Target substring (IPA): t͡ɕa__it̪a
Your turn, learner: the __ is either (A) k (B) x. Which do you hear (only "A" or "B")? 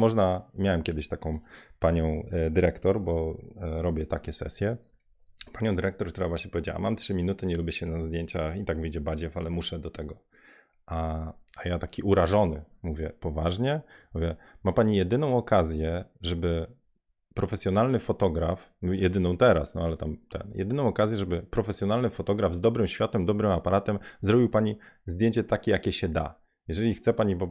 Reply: B